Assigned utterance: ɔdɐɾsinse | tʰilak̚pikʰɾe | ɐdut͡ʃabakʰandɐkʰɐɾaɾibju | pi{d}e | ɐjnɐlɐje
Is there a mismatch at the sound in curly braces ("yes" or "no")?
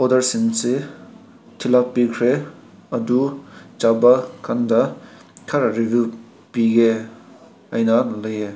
yes